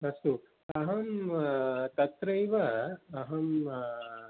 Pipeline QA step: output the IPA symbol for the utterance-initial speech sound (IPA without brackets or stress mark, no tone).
ɐ